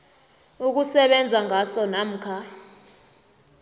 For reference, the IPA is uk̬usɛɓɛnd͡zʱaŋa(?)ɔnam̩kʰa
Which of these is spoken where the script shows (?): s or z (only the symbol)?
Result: s